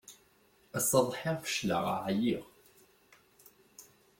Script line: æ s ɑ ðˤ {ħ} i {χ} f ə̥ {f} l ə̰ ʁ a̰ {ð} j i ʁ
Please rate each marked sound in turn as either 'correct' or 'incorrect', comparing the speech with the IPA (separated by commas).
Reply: correct, incorrect, incorrect, incorrect